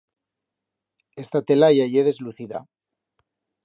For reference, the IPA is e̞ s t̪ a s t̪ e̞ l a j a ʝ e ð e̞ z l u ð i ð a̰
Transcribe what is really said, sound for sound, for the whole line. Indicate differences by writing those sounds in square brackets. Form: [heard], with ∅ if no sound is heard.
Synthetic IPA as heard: e̞ s t̪ a [∅] t̪ e̞ l a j a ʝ e ð e̞ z l u [θ] i ð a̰

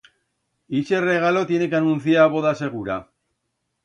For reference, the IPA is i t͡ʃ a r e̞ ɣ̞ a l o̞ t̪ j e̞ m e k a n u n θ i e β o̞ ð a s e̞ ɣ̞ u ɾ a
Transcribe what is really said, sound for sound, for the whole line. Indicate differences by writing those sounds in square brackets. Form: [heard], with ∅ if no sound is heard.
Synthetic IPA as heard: i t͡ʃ [e] r e̞ ɣ̞ a l o̞ t̪ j e̞ [n] e k a n u n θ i [a] β o̞ ð a s e̞ ɣ̞ u ɾ a

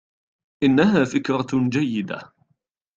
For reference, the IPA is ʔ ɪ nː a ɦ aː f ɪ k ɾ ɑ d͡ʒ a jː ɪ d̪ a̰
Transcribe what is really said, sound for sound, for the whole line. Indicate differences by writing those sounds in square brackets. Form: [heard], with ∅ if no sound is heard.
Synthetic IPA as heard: ʔ ɪ nː a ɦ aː f ɪ k ɾ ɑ d͡ʒ a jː ɪ d̪ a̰

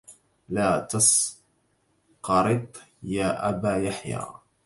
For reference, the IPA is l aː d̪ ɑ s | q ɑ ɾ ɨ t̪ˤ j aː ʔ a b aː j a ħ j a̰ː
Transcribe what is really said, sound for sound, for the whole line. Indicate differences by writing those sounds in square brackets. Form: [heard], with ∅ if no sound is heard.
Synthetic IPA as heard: l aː [t̪] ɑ s | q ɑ ɾ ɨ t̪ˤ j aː ʔ a b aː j a ħ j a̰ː

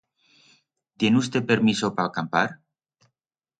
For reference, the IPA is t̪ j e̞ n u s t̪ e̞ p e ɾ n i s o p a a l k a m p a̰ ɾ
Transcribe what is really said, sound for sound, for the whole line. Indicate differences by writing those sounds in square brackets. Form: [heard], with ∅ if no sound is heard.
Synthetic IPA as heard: t̪ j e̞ n u s t̪ e̞ p e ɾ [m] i s o p a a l k a m p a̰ ɾ

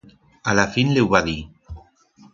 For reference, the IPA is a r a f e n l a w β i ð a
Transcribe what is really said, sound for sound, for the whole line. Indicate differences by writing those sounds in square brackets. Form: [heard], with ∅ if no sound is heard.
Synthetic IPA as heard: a [l] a f [i] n l [e] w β [a] ð [i]

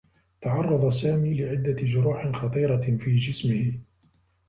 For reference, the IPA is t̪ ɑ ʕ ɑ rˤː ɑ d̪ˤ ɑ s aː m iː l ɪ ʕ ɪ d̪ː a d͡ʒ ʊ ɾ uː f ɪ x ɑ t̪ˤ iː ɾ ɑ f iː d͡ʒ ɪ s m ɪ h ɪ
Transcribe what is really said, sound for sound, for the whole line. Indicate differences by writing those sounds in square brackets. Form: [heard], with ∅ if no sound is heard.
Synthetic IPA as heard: t̪ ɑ ʕ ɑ rˤː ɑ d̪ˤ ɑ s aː m iː l ɪ ʕ ɪ d̪ː a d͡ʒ ʊ ɾ uː [ħ] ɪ x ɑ t̪ˤ iː ɾ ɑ f iː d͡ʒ ɪ s m ɪ h ɪ

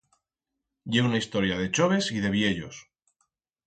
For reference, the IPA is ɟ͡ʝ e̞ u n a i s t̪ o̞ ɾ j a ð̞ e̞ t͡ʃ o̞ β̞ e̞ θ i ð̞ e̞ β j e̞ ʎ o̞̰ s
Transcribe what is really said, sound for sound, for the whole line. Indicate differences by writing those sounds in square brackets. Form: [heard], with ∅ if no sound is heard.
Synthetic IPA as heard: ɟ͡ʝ e̞ u n a i s t̪ o̞ ɾ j a ð̞ e̞ t͡ʃ o̞ β̞ e̞ [s] i ð̞ e̞ β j e̞ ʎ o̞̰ s

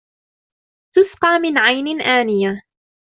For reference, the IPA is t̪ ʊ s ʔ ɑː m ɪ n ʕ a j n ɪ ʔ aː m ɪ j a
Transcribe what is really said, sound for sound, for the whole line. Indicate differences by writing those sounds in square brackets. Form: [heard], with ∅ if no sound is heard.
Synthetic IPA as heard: t̪ ʊ s [q] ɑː m ɪ n ʕ a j n ɪ ʔ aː [n] ɪ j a

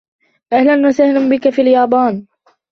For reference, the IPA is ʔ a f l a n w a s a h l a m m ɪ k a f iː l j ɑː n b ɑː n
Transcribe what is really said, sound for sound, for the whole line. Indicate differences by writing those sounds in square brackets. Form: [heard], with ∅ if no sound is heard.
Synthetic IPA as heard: ʔ a [h] l a n w a s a h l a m [b] ɪ k a f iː l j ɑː [∅] b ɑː n

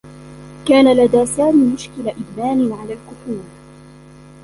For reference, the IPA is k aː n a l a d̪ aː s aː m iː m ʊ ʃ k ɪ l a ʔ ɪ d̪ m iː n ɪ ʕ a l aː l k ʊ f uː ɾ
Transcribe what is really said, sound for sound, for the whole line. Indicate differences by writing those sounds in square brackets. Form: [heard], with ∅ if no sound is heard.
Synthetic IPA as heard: k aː n a l a d̪ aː s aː m iː m ʊ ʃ k ɪ l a ʔ ɪ d̪ m [aː] n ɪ ʕ a l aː l k ʊ f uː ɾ

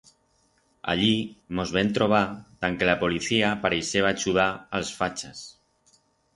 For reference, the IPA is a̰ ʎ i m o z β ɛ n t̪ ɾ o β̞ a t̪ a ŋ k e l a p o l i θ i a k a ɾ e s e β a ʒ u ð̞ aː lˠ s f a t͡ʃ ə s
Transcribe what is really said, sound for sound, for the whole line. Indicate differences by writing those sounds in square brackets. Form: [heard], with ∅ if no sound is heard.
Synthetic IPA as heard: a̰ ʎ i m o z β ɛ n t̪ ɾ o β̞ a t̪ a ŋ k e l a p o l i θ i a [p] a ɾ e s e β a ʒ u ð̞ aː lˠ s f a t͡ʃ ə s

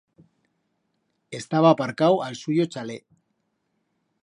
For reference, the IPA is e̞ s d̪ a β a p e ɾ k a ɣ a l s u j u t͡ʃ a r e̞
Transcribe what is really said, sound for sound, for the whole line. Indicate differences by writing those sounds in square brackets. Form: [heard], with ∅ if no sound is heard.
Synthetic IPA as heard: e̞ s [t̪] a β a p [a] ɾ k a [w] a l s u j [o] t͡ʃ a [l] e̞

